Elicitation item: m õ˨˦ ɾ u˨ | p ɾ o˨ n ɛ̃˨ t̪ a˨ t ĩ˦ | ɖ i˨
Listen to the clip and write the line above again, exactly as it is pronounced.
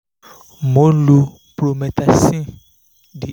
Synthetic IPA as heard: m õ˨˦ l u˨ | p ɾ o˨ m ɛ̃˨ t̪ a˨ s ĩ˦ | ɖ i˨